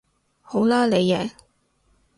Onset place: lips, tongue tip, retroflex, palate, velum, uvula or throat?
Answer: throat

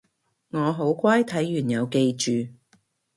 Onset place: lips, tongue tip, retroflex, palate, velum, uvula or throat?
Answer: velum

